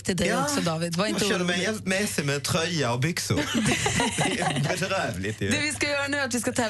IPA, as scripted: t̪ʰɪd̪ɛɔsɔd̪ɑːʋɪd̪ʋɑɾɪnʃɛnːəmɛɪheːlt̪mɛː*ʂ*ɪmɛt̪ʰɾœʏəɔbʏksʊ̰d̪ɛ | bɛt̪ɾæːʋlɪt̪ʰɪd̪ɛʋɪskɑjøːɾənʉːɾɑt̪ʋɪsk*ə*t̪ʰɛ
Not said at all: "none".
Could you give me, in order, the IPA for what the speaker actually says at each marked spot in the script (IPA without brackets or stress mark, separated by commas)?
s, ɑ